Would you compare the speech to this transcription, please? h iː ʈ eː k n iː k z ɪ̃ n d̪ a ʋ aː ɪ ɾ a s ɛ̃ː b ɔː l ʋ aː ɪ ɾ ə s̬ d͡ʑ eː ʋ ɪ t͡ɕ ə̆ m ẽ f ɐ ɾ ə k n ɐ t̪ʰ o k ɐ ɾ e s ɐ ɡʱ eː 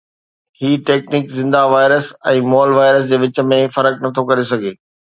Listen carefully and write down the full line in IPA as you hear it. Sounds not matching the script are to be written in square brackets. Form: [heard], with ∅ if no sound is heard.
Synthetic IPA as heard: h iː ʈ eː k n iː k z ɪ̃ n d̪ a ʋ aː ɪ ɾ [ə] s ɛ̃ː [m] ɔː l ʋ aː ɪ ɾ ə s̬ d͡ʑ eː ʋ ɪ t͡ɕ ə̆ m ẽ f ɐ ɾ ə k n ɐ t̪ʰ o k ɐ ɾ e s ɐ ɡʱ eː

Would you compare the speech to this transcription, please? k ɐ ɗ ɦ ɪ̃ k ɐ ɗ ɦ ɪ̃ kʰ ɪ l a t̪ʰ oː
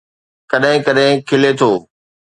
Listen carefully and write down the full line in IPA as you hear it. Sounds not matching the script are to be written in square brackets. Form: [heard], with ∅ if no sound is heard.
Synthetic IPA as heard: k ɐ ɗ ɦ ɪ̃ k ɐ ɗ ɦ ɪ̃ kʰ ɪ l [e] t̪ʰ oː

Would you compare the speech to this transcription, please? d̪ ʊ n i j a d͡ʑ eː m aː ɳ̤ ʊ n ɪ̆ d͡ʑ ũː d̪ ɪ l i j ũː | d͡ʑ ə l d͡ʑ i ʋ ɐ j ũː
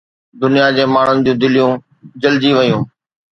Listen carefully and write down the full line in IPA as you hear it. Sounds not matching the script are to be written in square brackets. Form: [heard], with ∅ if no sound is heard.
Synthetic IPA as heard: d̪ ʊ n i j a d͡ʑ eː m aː ɳ̤ ʊ n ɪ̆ d͡ʑ ũː d̪ ɪ l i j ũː | d͡ʑ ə l d͡ʑ i ʋ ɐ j ũː

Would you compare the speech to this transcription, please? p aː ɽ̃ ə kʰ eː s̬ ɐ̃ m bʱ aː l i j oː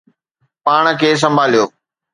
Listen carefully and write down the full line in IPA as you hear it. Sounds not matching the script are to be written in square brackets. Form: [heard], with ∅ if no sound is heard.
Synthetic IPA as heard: p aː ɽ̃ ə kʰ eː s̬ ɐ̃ m bʱ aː l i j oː

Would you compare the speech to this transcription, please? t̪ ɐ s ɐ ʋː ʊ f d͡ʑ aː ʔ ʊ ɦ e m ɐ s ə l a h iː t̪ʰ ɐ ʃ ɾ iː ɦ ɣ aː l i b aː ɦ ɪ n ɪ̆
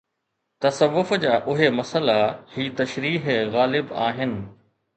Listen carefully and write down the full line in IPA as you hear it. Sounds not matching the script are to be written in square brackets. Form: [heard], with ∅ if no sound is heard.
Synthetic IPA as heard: t̪ ɐ s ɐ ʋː ʊ f d͡ʑ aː ʔ ʊ ɦ e m ɐ s ə l a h iː [t̪] ɐ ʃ ɾ iː ɦ ɣ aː l [ɪ] b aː ɦ ɪ n ɪ̆

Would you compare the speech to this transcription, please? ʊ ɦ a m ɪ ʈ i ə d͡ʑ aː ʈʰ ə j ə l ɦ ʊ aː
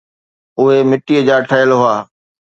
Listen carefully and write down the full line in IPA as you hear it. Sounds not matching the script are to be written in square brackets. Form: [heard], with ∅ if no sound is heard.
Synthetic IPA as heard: ʊ ɦ [e] m ɪ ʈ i ə d͡ʑ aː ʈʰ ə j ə l ɦ ʊ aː

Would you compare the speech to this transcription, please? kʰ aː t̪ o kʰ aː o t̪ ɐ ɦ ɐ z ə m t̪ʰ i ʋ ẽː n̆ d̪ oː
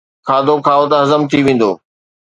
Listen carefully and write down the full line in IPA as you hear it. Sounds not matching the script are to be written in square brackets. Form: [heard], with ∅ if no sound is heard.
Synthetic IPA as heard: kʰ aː [d̪] o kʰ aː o t̪ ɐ ɦ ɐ z ə m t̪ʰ i ʋ ẽː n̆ d̪ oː

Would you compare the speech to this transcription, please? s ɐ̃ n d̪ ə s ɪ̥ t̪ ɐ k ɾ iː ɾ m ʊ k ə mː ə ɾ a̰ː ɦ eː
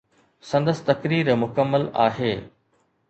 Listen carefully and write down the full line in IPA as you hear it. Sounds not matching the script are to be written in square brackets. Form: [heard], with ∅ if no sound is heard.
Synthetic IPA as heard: s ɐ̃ n d̪ ə s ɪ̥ t̪ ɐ k ɾ iː ɾ m ʊ k ə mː ə [l] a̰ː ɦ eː

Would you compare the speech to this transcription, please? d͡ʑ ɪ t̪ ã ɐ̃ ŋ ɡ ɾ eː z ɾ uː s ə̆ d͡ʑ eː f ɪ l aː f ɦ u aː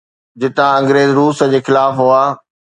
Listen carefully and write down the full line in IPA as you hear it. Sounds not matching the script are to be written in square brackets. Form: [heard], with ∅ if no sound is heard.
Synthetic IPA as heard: d͡ʑ ɪ t̪ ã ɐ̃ ŋ ɡ ɾ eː z ɾ uː s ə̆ d͡ʑ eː [x] ɪ l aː f ɦ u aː

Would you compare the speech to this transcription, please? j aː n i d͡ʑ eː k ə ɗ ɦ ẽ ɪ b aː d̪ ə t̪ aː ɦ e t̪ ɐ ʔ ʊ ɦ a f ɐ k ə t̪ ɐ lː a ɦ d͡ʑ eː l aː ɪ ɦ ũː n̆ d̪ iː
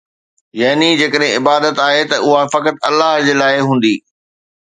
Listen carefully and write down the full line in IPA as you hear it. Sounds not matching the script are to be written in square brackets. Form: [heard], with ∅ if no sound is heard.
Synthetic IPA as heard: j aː n i d͡ʑ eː k ə ɗ ɦ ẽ ɪ b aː d̪ ə t̪ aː ɦ e t̪ ɐ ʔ ʊ ɦ a f ɐ k ə t̪ ɐ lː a ɦ d͡ʑ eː l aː ɪ ɦ ũː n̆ d̪ iː

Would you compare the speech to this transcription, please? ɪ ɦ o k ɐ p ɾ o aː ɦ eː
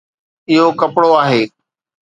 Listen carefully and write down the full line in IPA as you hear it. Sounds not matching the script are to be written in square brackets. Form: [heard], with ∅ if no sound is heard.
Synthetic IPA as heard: ɪ ɦ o k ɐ p [ɽ] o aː ɦ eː

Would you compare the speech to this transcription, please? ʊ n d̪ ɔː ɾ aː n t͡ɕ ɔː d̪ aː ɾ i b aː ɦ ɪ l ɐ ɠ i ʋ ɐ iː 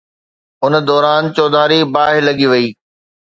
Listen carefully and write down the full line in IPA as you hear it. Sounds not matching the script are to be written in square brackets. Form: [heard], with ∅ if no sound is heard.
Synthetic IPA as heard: ʊ n d̪ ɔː ɾ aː n t͡ɕ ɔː d̪ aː ɾ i b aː ɦ ɪ l ɐ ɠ i ʋ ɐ iː

